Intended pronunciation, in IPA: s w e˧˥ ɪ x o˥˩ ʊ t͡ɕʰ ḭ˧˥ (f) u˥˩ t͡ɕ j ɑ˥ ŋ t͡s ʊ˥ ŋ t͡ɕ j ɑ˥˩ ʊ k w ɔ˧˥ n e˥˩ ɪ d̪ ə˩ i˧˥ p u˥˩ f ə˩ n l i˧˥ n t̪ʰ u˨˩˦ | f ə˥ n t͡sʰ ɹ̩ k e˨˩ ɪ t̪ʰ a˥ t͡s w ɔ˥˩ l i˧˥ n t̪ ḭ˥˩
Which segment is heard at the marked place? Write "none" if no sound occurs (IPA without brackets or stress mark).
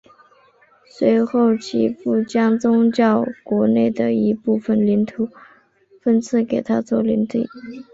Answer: f